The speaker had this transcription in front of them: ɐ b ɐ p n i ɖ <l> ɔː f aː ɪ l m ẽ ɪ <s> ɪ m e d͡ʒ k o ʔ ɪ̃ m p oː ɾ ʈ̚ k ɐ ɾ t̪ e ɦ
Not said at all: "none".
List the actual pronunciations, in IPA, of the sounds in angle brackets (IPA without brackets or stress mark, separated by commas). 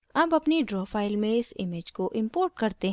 ɾ, s